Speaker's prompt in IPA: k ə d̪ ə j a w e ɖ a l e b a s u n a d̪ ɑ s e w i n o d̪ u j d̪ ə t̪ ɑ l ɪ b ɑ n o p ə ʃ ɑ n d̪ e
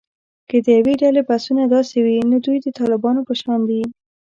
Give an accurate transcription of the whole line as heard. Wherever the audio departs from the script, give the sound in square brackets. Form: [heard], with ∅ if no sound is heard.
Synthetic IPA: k ə d̪ ə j a w e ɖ a l e b a s u n a d̪ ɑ s e w i n o d̪ u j d̪ ə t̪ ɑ l ɪ b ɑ n o p ə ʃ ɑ n d̪ [i]

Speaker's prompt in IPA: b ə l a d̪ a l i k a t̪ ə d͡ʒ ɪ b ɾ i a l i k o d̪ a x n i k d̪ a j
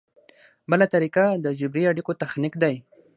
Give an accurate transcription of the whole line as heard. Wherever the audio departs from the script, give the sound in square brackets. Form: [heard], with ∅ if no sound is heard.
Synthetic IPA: b ə l a [t̪] a [ɾ] i k a [d̪] ə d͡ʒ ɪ b ɾ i a [ɽ] i k o [t̪] a x n i k d̪ a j

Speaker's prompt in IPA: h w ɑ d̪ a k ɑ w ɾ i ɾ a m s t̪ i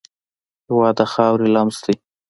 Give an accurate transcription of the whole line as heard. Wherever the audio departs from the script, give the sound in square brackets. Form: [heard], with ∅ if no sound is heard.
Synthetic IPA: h w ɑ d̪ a [x] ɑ w ɾ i [l] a m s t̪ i

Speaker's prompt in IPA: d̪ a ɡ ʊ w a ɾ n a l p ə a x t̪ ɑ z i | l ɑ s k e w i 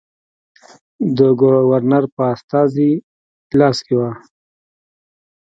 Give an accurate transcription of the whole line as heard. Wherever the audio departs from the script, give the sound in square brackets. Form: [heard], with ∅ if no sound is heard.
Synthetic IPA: d̪ [ə] ɡ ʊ w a ɾ n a [ɾ] p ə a [s] t̪ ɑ z i | l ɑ s k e w [a]

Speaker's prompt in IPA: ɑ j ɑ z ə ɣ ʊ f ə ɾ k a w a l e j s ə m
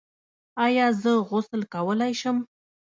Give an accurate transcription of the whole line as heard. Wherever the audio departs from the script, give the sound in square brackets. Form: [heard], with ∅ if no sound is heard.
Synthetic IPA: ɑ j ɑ z ə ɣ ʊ [s] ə [l] k a w [ə] l [a] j [ʃ] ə m

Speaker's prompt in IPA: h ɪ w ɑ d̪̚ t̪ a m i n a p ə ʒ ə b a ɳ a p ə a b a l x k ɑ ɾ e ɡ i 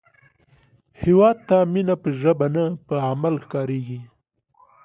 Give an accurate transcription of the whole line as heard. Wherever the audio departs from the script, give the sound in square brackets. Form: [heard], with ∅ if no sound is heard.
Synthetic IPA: h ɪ w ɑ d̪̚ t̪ a m i n a p ə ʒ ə b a [n] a p ə a [m] a l x k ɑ ɾ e ɡ i

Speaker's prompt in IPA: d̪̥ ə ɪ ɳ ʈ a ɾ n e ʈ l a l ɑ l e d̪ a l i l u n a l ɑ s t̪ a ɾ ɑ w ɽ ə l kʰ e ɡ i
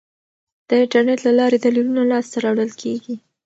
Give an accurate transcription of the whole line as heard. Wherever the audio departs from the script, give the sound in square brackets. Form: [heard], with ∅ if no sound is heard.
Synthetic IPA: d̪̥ ə ɪ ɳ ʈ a ɾ n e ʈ l a l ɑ [ɾ] e d̪ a l i l u n a l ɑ s t̪ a ɾ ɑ w ɽ ə l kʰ e ɡ i

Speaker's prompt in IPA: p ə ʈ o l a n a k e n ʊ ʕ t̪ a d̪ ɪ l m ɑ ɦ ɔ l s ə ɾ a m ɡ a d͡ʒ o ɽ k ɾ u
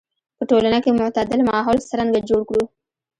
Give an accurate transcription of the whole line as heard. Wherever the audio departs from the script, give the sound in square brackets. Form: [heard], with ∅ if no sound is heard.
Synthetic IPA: p ə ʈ o l a n a k e [m] ʊ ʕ t̪ a d̪ ɪ l m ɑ ɦ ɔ l s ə ɾ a [ŋ] ɡ a d͡ʒ o ɽ k [ɽ] u

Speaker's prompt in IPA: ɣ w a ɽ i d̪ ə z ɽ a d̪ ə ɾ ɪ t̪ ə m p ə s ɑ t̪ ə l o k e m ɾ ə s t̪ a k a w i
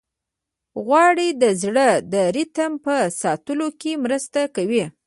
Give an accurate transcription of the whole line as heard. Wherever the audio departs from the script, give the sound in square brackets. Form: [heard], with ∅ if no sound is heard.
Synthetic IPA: ɣ w [ɑ] ɽ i d̪ ə z ɽ [ə] d̪ ə ɾ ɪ t̪ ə m p ə s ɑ t̪ ə l o k e m ɾ ə s t̪ a k a w i

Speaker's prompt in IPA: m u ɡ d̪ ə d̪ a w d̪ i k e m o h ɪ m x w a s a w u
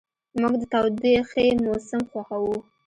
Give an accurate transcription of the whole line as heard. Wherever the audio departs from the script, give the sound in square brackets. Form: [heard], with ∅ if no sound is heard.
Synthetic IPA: m u ɡ d̪ ə [t̪] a w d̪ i [x] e m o [s] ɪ m x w a [x] a w u

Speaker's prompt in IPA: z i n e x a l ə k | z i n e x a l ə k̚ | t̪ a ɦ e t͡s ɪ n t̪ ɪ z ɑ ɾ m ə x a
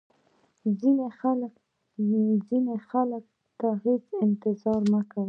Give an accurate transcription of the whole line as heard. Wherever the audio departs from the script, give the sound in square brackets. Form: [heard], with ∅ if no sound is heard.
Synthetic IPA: z i n e x a l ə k | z i n e x a l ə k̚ | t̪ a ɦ e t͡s ɪ n t̪ ɪ z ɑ ɾ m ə [k] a

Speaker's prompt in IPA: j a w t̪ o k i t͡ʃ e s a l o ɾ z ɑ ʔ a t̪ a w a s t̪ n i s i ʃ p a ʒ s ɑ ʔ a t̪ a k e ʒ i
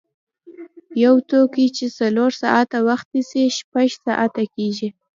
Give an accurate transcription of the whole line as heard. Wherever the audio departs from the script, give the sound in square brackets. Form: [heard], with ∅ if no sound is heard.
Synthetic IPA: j a w t̪ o k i t͡ʃ e s a l o ɾ [s] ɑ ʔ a t̪ a w a [x] t̪ n i s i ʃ p a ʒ s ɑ ʔ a t̪ a k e ʒ i

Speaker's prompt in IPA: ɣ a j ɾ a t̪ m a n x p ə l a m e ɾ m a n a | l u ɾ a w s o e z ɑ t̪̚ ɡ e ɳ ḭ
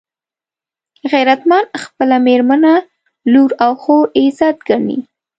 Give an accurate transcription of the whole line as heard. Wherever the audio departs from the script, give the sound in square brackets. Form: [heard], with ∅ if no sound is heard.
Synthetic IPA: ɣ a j ɾ a t̪ m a n x p ə l a m e ɾ m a n a | l u ɾ a w [x] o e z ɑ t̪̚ ɡ [a] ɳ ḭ

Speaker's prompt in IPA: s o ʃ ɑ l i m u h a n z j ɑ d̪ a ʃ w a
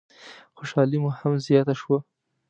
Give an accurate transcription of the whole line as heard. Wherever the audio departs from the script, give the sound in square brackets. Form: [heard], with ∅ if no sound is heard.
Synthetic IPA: [x] o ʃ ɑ l i m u h a [m] z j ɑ [t̪] a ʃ w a

